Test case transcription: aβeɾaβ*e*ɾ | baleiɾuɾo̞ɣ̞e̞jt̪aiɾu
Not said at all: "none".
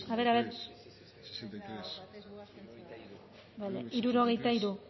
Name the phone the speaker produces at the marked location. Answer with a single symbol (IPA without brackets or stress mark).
e